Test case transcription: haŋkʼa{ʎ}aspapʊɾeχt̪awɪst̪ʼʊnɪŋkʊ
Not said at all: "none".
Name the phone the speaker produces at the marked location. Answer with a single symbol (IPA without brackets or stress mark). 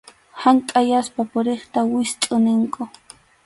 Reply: j